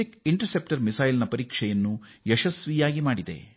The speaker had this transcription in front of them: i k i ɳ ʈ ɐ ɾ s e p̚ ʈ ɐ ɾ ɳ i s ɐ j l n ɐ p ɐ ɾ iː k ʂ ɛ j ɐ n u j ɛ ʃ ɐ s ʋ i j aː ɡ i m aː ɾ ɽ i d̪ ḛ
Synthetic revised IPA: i k i ɳ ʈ ɐ ɾ s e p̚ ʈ ɐ ɾ m i s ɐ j l n ɐ p ɐ ɾ iː k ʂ ɛ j ɐ nː u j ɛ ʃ ɐ s ʋ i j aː ɡ i m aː ɽ i d̪ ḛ

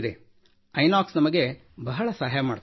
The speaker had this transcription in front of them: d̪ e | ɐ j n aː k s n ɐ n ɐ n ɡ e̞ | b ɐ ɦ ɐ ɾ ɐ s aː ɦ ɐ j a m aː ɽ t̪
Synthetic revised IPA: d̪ e | ɐ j n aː k s n ɐ m ɐ ɡ e̞ | b ɐ ɦ ɐ ɭ ɐ s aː ɦ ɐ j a m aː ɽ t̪

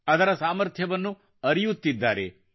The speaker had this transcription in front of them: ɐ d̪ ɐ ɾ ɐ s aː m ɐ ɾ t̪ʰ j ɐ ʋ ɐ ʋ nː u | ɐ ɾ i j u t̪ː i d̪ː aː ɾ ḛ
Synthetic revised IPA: ɐ d̪ ɐ ɾ ɐ s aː m ɐ ɾ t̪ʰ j ɐ ʋ ɐ nː u | ɐ ɾ i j u t̪ː i d̪ː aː ɾ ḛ

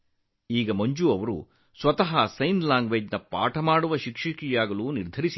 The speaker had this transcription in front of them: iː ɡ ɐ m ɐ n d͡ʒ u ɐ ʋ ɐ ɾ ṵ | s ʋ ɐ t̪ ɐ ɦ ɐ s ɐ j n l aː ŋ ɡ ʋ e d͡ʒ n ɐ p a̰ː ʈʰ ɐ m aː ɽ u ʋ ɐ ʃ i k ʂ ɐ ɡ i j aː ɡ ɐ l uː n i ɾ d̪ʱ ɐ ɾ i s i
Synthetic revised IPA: iː ɡ ɐ m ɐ ɲ d͡ʒ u ɐ ʋ ɐ ɾ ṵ | s ʋ ɐ t̪ ɐ ɦ ɐ s ɐ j n l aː ŋ ɡ ʋ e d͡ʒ n ɐ p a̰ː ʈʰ ɐ m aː ɽ u ʋ ɐ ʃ i k ʂ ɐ k i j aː ɡ ɐ l uː n i ɾ d̪ʱ ɐ ɾ i s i

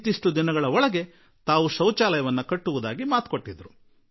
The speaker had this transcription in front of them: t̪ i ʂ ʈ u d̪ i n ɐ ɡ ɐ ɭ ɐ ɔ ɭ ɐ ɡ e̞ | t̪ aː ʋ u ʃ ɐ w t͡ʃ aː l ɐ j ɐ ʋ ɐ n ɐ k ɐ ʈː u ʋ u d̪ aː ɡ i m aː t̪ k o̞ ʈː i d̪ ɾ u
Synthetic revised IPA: t̪ i ʂ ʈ u d̪ i n ɐ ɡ ɐ ɭ ɐ ɔ ɭ ɐ ɡ e̞ | t̪ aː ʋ u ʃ ɐ w t͡ʃ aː l ɐ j ɐ ʋ ɐ nː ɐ k ɐ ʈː u ʋ u d̪ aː ɡ i m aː t̪ k o̞ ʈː i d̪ ɾ u

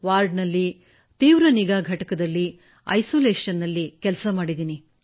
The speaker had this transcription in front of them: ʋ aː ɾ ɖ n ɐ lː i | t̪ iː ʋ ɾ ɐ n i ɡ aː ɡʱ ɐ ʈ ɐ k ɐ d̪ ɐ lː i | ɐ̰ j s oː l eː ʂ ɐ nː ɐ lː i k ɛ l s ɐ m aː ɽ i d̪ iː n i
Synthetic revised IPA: ʋ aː ɾ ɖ n ɐ lː i | t̪ iː ʋ ɾ ɐ n i ɡ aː ɡʱ ɐ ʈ ɐ k ɐ d̪ ɐ lː i | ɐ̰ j s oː l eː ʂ ɐ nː ɐ lː i k ɛ l s ɐ m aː ɽ i d̪ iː n i

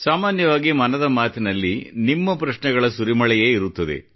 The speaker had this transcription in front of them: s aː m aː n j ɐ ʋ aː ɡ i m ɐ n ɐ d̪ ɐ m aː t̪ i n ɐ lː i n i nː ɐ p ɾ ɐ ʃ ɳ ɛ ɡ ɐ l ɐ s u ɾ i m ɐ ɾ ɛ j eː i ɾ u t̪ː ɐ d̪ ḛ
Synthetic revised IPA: s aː m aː n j ɐ ʋ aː ɡ i m ɐ n ɐ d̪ ɐ m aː t̪ i n ɐ lː i n i mː ɐ p ɾ ɐ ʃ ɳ ɛ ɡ ɐ ɭ ɐ s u ɾ i m ɐ ɭ ɛ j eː i ɾ u t̪ː ɐ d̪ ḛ

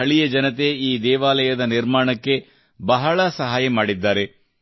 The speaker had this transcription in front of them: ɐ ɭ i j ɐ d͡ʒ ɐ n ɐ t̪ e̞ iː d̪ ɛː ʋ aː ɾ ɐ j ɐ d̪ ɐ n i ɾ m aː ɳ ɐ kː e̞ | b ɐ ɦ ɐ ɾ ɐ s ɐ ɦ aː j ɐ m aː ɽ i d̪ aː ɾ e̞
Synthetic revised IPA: ɐ ɭ i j ɐ d͡ʒ ɐ n ɐ t̪ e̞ iː d̪ ɛː ʋ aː l ɐ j ɐ d̪ ɐ n i ɾ m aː ɳ ɐ kː e̞ | b ɐ ɦ ɐ ɭ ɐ s ɐ ɦ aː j ɐ m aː ɽ i d̪ː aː ɾ e̞

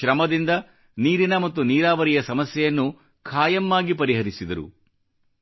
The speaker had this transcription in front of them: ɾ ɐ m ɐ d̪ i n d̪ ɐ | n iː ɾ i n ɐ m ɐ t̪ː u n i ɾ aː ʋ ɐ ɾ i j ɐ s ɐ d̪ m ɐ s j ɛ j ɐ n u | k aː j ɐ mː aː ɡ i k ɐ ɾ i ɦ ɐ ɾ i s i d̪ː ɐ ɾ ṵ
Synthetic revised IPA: ɾ ɐ m ɐ d̪ i n d̪ ɐ | n iː ɾ i n ɐ m ɐ t̪ː u n iː ɾ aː ʋ ɐ ɾ i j ɐ s ɐ m ɐ s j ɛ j ɐ nː u | kʰ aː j ɐ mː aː ɡ i p ɐ ɾ i ɦ ɐ ɾ i s i d̪ ɐ ɾ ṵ

